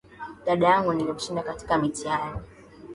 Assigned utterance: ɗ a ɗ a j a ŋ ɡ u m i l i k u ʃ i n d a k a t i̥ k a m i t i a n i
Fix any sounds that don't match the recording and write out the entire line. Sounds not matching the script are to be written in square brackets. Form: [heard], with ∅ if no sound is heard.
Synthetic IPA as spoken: ɗ a ɗ a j a ŋ ɡ u [n] i l i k u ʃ i n d a k a t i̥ k a m i t i a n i